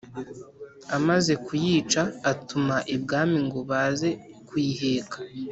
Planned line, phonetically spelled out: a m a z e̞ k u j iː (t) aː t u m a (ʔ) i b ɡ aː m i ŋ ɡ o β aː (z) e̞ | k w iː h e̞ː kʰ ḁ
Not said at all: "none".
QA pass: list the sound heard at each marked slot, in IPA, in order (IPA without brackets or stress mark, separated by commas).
t͡ʃ, ʔ, z